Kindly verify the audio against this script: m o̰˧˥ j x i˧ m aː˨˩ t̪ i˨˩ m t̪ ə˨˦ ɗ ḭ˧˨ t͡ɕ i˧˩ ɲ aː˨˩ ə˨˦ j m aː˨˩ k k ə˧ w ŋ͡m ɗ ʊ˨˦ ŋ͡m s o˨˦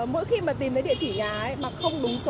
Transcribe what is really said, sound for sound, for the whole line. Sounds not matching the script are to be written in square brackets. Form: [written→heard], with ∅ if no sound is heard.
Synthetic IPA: m o̰˧˥ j x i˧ m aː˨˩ t̪ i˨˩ m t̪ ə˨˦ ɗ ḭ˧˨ t͡ɕ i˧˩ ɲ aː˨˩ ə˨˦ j m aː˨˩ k [k→x] ə˧ w ŋ͡m ɗ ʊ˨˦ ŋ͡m s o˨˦